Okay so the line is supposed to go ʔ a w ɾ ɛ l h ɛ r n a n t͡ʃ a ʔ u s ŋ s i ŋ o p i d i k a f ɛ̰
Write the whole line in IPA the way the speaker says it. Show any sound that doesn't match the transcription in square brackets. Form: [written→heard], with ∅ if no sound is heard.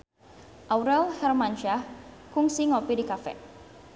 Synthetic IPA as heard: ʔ a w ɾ ɛ l h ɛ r [n→m] a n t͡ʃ a [ʔ→k] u [s→∅] ŋ s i ŋ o p i d i k a f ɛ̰